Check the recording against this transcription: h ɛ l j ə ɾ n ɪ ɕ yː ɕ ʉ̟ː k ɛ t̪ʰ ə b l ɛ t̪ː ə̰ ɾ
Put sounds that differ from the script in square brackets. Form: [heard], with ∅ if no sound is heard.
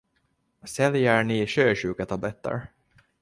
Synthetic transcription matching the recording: [s] ɛ l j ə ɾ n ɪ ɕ [øː] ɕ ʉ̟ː k [a] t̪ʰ [a] b l ɛ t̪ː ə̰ ɾ